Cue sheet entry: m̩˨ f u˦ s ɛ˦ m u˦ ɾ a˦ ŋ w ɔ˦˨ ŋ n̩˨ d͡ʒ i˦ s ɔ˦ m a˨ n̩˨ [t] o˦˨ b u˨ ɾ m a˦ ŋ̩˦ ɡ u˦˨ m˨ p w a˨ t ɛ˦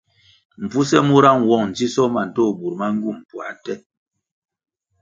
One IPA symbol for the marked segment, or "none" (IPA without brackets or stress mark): t